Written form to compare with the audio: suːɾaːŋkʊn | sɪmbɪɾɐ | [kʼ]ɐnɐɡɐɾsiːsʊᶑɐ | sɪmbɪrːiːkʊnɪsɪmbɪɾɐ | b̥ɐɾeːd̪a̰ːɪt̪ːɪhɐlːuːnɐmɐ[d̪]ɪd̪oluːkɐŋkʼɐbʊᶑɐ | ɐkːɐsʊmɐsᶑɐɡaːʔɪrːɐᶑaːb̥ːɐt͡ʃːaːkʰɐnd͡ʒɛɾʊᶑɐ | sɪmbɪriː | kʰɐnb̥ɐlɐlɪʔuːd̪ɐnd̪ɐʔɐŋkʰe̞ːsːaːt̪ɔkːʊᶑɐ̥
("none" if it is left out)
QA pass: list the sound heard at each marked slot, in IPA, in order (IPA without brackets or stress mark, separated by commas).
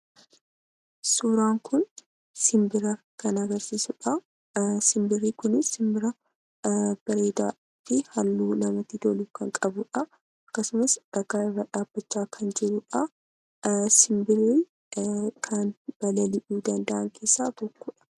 k, t̪